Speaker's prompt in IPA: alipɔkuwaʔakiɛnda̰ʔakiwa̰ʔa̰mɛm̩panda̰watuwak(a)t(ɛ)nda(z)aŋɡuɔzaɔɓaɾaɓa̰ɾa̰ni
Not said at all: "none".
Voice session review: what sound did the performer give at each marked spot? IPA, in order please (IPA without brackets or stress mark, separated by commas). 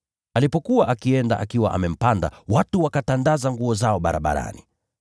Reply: a, a, z